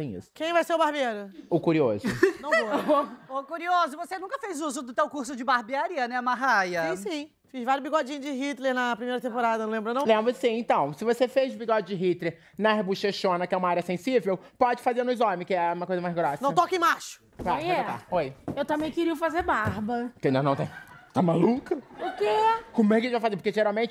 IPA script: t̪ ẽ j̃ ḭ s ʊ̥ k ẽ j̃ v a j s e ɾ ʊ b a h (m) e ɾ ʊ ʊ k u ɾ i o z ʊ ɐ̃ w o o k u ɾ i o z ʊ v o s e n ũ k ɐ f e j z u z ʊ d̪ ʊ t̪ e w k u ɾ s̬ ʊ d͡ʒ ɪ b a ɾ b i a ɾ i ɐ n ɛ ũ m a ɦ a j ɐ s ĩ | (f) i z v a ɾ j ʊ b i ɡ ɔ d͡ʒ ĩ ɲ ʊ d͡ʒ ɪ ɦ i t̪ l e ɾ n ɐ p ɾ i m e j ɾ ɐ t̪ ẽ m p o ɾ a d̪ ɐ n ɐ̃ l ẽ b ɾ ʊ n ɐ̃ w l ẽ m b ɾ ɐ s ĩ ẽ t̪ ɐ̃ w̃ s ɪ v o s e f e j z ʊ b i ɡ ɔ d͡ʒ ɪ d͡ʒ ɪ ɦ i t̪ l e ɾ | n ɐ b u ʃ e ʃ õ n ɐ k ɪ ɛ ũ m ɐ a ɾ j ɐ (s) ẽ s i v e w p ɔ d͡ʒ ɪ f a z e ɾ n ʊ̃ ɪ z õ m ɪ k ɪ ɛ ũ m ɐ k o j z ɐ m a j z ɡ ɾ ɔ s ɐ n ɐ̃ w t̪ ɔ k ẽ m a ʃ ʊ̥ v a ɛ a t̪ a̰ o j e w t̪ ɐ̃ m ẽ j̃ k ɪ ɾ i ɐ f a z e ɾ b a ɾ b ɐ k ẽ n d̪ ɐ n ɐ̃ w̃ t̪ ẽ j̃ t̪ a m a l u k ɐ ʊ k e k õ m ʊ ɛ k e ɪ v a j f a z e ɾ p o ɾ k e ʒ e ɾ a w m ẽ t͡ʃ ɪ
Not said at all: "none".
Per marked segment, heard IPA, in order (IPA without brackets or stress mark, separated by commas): b, f, s